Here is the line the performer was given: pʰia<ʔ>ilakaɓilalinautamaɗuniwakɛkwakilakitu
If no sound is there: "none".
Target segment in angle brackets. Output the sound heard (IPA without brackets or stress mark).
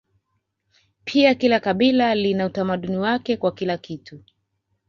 k